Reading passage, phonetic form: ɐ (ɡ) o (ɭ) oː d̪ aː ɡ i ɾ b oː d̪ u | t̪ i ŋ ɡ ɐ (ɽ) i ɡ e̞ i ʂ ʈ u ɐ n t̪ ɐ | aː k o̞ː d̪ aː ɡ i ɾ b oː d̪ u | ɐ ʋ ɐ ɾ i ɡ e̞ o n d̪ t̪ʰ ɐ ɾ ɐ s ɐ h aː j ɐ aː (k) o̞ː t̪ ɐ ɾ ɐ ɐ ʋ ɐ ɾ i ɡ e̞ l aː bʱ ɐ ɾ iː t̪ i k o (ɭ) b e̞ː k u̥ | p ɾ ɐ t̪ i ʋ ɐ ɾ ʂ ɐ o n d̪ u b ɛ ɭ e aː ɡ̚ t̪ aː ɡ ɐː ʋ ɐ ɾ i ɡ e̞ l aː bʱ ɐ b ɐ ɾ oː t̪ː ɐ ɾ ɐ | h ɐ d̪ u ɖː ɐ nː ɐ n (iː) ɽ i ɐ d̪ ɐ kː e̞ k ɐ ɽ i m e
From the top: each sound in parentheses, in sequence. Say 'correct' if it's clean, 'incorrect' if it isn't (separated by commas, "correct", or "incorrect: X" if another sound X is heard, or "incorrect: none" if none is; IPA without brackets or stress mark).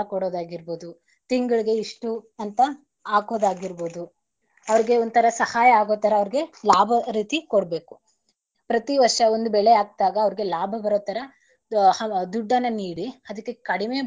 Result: incorrect: k, incorrect: ɽ, incorrect: ɭ, incorrect: ɡ, incorrect: ɽ, correct